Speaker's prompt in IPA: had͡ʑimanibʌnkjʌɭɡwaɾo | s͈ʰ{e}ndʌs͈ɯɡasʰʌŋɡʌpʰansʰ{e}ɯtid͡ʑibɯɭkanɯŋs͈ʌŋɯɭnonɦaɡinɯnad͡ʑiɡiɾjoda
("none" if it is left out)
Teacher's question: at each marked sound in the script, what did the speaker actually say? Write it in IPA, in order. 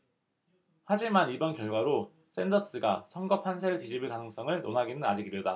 e, e

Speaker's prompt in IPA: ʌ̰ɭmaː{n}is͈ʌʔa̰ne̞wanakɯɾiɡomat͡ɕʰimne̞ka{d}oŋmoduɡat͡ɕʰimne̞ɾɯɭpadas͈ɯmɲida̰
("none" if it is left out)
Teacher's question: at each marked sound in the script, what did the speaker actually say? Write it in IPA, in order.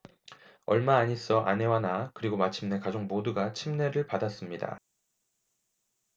ɲ, d͡ʑ

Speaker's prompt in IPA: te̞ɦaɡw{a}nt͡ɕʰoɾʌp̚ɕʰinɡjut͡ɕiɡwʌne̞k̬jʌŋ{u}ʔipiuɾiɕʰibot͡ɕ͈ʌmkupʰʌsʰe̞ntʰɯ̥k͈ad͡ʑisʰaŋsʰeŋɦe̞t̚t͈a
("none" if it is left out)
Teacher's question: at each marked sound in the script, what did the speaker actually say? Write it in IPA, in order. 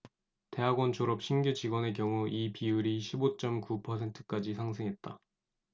ʌ, u

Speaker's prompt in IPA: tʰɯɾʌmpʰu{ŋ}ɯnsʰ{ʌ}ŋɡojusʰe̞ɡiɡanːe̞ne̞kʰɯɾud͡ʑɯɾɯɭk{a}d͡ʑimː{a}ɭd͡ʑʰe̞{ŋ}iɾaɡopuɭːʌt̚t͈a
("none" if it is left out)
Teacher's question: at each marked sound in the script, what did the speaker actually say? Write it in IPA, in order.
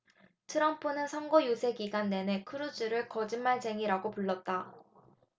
n, ʌ, ʌ, a, ŋ

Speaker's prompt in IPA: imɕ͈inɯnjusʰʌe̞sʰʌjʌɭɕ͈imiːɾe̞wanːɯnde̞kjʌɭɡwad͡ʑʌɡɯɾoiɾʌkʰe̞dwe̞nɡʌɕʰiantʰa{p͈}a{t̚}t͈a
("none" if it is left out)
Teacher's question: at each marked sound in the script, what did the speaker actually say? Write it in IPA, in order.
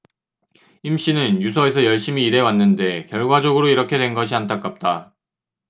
k͈, p̚

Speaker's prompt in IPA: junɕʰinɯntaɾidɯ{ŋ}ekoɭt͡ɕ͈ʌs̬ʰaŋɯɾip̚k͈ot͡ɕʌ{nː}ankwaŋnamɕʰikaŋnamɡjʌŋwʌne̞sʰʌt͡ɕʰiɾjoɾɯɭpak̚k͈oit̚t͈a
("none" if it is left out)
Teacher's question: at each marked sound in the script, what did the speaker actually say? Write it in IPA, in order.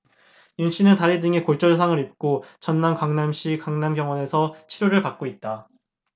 ŋ, nː

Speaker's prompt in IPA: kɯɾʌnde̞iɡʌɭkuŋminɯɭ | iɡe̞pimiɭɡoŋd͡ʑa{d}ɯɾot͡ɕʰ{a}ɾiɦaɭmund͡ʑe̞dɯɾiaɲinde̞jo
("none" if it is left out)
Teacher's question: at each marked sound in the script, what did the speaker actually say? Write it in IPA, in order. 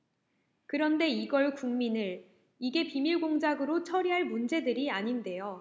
ɡ, ʌ

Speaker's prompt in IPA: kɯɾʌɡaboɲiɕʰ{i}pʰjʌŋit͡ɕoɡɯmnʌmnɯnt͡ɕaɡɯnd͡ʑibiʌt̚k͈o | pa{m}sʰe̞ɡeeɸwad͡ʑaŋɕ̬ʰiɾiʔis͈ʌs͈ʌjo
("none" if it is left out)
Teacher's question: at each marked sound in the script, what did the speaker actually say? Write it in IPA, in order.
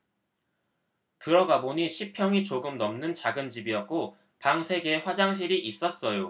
i, ŋ

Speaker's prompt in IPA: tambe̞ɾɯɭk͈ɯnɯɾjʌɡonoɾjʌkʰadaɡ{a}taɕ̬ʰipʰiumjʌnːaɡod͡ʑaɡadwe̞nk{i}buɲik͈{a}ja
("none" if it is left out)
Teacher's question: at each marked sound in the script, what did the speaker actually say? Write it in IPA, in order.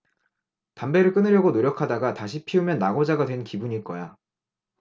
a, i, ʌ

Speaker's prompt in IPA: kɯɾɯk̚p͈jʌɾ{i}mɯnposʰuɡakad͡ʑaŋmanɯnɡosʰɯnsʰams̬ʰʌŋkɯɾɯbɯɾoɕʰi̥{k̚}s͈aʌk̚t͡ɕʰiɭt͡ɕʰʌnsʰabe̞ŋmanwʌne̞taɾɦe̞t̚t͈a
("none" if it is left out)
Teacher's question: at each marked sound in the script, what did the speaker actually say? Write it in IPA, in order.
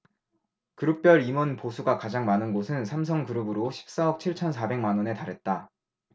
i, p̚

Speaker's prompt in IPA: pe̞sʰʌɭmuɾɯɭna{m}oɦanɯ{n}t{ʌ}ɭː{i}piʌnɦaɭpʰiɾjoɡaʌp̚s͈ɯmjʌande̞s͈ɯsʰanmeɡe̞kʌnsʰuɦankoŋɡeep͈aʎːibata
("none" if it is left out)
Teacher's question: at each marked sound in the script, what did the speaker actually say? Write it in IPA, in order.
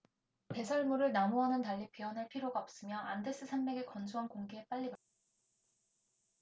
m, n, a, i

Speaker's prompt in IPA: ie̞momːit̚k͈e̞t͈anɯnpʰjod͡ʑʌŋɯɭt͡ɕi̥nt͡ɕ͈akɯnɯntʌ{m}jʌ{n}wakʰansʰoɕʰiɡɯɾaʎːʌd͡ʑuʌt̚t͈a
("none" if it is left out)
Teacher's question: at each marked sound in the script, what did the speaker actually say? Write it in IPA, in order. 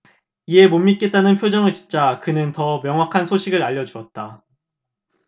m, ŋ

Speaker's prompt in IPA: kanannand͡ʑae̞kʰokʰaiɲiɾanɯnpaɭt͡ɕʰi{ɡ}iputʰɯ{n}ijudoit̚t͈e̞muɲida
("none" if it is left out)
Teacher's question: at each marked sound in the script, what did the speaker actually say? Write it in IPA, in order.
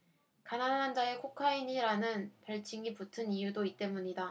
ŋ, n

